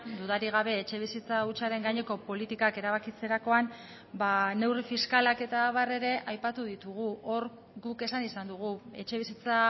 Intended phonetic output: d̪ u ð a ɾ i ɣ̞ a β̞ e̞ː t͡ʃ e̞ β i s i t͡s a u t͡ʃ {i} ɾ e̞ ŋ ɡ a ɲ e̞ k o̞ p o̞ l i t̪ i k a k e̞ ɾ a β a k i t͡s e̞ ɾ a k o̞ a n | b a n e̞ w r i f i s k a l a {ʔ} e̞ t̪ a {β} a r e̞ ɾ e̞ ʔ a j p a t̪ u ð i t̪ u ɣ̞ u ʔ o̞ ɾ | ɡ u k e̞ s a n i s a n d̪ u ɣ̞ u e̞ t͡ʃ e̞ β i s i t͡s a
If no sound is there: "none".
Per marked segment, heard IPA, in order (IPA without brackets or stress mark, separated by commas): a, k, β